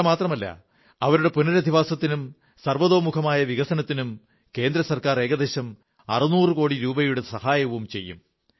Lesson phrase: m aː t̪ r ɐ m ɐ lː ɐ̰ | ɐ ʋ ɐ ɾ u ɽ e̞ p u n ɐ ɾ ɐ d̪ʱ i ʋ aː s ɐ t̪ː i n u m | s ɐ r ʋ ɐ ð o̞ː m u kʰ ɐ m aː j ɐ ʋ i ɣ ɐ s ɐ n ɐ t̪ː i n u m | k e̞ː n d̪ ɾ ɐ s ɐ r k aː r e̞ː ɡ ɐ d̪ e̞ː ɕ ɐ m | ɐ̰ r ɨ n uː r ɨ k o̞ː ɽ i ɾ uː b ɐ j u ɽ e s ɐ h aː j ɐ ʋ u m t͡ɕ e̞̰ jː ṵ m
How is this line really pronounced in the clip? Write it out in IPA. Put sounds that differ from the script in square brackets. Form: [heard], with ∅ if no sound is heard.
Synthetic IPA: m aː t̪ r ɐ m ɐ lː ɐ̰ | ɐ ʋ ɐ ɾ u ɽ e̞ p u n ɐ ɾ ɐ d̪ʱ i ʋ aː s ɐ t̪ː i n u m | s ɐ r ʋ ɐ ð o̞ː m u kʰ ɐ m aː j ɐ ʋ i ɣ ɐ s ɐ n ɐ t̪ː i n u m | k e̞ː n d̪ ɾ ɐ s ɐ r k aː r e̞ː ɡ ɐ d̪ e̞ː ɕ ɐ m | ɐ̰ r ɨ n uː r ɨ k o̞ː ɽ i ɾ uː b ɐ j u ɽ e s ɐ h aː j ɐ ʋ u m t͡ɕ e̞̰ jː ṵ m